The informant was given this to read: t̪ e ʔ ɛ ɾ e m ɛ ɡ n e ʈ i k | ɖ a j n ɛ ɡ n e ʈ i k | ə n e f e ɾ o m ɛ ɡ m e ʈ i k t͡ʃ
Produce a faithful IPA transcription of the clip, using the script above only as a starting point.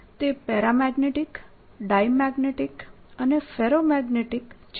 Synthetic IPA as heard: t̪ e p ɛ ɾ a m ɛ ɡ n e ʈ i k | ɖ a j m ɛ ɡ n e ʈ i k | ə n e f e ɾ o m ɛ ɡ n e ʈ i k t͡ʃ